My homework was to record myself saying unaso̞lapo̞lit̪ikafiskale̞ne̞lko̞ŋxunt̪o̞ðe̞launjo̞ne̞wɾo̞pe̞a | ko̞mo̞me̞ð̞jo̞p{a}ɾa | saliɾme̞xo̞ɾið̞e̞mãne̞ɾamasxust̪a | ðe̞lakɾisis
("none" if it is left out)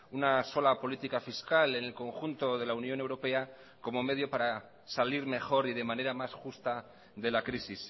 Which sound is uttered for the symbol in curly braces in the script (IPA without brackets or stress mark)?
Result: a